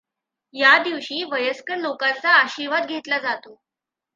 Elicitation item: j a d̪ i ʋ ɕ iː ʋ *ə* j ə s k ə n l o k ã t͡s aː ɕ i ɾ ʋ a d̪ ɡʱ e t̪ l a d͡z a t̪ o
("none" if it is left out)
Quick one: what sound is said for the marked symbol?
ə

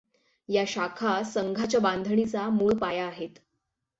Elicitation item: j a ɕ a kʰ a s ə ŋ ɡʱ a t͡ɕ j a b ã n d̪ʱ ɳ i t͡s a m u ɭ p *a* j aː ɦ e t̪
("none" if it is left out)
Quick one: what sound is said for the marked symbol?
a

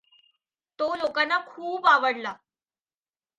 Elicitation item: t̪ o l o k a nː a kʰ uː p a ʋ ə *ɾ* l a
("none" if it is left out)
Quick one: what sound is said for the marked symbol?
ɽ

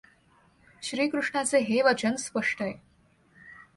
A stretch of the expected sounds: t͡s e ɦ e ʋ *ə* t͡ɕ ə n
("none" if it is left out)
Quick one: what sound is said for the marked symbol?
ə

